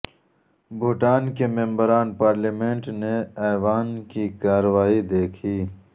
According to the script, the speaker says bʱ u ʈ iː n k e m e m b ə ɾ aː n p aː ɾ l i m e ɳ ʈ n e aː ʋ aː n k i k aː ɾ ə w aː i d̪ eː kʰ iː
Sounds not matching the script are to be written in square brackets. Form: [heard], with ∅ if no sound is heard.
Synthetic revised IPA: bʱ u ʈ [aː] n k e m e m b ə ɾ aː n p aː ɾ l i m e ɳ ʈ n e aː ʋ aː n k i k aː ɾ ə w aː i d̪ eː kʰ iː